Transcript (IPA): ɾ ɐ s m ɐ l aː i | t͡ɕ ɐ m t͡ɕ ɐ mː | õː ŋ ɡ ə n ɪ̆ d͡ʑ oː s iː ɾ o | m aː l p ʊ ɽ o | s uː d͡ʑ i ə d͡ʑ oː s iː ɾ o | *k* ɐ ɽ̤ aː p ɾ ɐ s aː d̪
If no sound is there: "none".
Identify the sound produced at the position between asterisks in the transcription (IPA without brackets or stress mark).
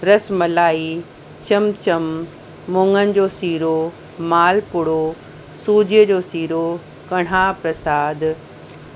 k